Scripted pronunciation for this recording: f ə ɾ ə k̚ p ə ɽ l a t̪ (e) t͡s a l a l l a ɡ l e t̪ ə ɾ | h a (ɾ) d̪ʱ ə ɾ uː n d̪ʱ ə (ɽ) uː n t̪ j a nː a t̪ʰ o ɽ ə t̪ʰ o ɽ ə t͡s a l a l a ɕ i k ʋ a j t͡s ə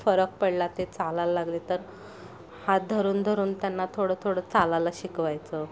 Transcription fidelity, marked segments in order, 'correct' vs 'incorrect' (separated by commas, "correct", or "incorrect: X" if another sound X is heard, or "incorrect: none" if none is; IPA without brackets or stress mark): correct, incorrect: none, incorrect: ɾ